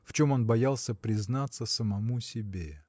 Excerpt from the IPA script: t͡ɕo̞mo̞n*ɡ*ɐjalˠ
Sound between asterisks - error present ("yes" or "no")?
yes